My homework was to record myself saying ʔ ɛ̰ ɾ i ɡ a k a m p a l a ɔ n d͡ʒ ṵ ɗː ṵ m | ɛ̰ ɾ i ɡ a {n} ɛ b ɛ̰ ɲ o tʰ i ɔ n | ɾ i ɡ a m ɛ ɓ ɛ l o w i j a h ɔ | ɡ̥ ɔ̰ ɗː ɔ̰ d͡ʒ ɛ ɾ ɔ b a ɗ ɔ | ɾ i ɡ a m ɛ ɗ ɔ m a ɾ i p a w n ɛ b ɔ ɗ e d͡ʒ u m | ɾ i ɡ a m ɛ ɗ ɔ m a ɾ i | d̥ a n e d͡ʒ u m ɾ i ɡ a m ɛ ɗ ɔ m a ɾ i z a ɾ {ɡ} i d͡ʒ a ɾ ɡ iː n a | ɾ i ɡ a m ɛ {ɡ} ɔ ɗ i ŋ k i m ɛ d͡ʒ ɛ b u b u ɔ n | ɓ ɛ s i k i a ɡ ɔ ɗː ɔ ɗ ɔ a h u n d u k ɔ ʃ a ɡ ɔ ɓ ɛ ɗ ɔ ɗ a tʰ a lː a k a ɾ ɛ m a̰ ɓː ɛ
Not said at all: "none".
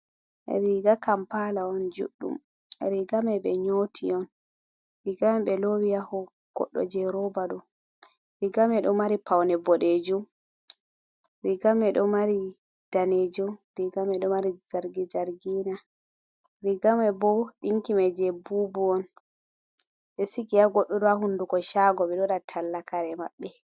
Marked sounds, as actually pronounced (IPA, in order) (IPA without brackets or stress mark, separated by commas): m, ɡ, b